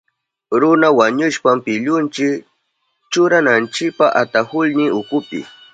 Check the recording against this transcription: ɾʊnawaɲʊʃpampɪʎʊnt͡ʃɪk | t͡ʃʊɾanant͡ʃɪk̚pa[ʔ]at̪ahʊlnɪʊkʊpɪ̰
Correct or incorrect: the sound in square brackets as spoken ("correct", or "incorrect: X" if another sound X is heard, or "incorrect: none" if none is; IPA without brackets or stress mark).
correct